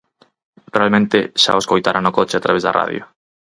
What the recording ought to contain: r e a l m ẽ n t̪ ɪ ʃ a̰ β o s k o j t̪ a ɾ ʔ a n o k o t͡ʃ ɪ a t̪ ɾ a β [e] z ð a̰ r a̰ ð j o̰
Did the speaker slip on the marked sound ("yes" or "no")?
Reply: no